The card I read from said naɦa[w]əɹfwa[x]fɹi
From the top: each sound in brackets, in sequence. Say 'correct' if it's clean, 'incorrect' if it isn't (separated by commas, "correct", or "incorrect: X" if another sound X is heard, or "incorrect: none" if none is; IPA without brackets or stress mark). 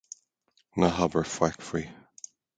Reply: incorrect: b, incorrect: k